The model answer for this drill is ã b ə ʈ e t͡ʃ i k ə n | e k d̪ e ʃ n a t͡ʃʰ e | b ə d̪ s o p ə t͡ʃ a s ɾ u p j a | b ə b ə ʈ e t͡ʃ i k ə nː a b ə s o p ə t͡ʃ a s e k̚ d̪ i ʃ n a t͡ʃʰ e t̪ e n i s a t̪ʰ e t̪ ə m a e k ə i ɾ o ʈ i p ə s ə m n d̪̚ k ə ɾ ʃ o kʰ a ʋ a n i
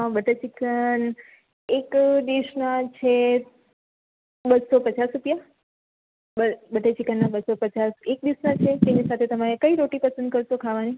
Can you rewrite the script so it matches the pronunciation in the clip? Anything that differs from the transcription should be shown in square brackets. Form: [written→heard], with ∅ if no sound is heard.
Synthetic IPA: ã b ə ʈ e t͡ʃ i k ə n | e k d̪ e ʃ n a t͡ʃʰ e | b ə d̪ s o p ə t͡ʃ a s ɾ u p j a | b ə b ə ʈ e t͡ʃ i k ə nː a b ə s o p ə t͡ʃ a s e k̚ d̪ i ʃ n a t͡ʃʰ e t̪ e n i s a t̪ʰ e t̪ ə m a e k ə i ɾ o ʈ i p ə s ə [m→∅] n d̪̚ k ə ɾ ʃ o kʰ a ʋ a n i

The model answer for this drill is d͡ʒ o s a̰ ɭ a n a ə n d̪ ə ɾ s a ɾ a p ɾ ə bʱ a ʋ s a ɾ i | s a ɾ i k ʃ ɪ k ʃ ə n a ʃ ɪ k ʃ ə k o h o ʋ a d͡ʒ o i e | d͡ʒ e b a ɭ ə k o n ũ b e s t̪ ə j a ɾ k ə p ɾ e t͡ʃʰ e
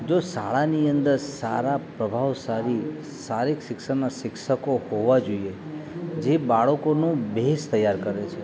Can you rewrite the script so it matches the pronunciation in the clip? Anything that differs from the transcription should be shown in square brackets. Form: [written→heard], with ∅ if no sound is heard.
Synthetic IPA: d͡ʒ o s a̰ ɭ a n [a→i] ə n d̪ ə ɾ s a ɾ a p ɾ ə bʱ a ʋ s a ɾ i | s a ɾ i k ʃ ɪ k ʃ ə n a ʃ ɪ k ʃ ə k o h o ʋ a d͡ʒ o i e | d͡ʒ e b a ɭ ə k o n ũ b e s t̪ ə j a ɾ k ə [p→∅] ɾ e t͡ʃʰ e

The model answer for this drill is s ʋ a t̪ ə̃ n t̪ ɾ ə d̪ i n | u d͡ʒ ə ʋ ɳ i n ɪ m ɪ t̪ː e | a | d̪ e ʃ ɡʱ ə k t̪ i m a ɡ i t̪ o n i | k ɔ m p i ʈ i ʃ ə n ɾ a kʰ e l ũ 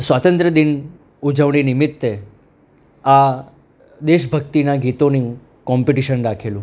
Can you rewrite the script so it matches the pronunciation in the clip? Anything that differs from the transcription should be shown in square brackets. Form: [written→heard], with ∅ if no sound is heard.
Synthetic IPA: s ʋ a t̪ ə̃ n t̪ ɾ ə d̪ i n | u d͡ʒ ə ʋ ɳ i n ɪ m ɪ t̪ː e | a | d̪ e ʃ [ɡʱ→bʱ] ə k t̪ i [m→n] a ɡ i t̪ o n i | k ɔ m p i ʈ i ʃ ə n ɾ a kʰ e l ũ

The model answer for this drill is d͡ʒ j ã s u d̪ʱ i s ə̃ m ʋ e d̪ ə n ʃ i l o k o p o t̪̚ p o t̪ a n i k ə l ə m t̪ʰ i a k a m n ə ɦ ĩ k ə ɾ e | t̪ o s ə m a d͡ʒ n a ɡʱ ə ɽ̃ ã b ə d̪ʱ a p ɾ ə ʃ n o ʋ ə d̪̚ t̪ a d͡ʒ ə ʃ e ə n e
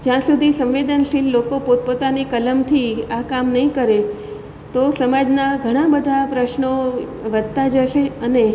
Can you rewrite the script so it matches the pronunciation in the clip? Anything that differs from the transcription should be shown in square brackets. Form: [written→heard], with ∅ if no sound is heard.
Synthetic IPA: d͡ʒ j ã s u d̪ʱ i s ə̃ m ʋ e d̪ ə n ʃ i [l→lː] o k o p o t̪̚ p o t̪ a n i k ə l ə m t̪ʰ i a k a m n ə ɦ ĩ k ə ɾ e | t̪ o s ə m a d͡ʒ n a ɡʱ ə ɽ̃ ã b ə d̪ʱ a p ɾ ə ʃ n o ʋ ə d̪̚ t̪ a d͡ʒ ə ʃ e ə n e

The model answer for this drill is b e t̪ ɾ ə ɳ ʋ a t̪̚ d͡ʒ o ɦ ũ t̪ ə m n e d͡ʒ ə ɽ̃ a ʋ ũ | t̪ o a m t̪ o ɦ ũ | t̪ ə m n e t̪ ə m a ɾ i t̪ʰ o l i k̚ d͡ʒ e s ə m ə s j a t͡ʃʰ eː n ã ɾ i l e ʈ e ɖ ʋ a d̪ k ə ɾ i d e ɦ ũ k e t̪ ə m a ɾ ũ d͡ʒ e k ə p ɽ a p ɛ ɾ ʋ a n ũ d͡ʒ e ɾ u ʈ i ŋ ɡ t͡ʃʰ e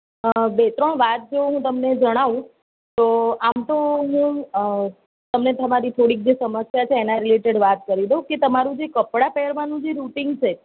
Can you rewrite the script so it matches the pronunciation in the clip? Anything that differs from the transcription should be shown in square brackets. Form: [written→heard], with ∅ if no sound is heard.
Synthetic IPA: b e t̪ ɾ ə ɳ ʋ a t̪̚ d͡ʒ o ɦ ũ t̪ ə m n e d͡ʒ ə ɽ̃ a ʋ ũ | t̪ o a m t̪ o ɦ ũ | t̪ ə m n e t̪ ə m a ɾ i t̪ʰ o [l→ɽ] i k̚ d͡ʒ e s ə m ə s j a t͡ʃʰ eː n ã ɾ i l e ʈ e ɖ ʋ a [d̪→t̪] k ə ɾ i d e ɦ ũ k e t̪ ə m a ɾ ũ d͡ʒ e k ə p ɽ a p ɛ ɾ ʋ a n ũ d͡ʒ e ɾ u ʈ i ŋ ɡ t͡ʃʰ e

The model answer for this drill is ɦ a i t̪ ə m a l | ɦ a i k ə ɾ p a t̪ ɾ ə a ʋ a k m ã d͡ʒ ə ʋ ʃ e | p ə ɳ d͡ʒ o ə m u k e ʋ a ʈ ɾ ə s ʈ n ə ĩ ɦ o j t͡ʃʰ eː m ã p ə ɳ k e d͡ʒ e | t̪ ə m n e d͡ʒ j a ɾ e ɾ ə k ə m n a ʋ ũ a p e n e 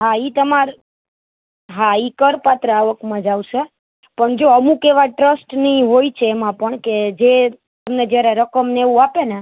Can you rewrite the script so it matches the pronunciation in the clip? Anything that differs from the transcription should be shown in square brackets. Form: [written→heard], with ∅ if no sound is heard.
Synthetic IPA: ɦ a i t̪ ə m a [l→ɾ] | ɦ a i k ə ɾ p a t̪ ɾ ə a ʋ [a→ə] k m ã d͡ʒ [ə→a] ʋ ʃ e | p ə ɳ d͡ʒ o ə m u k e ʋ a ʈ ɾ ə s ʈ n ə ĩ ɦ o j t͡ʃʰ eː m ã p ə ɳ k e d͡ʒ e | t̪ ə m n e d͡ʒ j a ɾ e ɾ ə k ə m n [a→e] ʋ ũ a p e n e

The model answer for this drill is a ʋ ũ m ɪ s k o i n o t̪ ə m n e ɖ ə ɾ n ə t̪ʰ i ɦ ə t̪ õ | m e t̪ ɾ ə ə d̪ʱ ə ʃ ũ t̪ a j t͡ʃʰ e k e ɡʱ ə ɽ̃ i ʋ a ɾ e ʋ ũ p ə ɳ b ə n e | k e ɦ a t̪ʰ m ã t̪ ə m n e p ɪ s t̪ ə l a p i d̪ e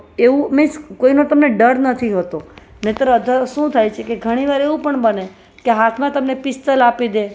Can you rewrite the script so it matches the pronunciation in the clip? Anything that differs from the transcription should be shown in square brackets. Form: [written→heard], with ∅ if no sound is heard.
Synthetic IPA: [a→e] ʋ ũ m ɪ s k o i n o t̪ ə m n e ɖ ə ɾ n ə t̪ʰ i ɦ ə t̪ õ | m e t̪ ɾ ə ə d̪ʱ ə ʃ ũ [t̪→t̪ʰ] a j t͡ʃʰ e k e ɡʱ ə ɽ̃ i ʋ a ɾ e ʋ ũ p ə ɳ b ə n e | k e ɦ a t̪ʰ m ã t̪ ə m n e p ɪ s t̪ ə l a p i d̪ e

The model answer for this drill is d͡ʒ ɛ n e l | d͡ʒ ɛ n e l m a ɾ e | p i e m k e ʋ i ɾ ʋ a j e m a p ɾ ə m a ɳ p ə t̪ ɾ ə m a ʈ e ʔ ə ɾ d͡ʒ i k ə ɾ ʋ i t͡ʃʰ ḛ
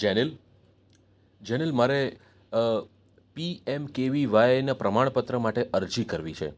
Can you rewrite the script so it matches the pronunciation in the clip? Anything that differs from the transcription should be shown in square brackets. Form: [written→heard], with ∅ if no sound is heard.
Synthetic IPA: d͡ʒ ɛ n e l | d͡ʒ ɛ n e l m a ɾ e | p i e m k e ʋ i [ɾ→∅] ʋ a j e [m→n] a p ɾ ə m a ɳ p ə t̪ ɾ ə m a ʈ e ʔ ə ɾ d͡ʒ i k ə ɾ ʋ i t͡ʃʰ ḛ

